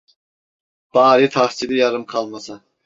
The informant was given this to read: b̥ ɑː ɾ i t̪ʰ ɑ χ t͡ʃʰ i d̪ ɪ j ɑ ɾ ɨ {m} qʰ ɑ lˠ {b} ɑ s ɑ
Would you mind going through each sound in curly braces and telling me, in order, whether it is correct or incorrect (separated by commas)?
correct, incorrect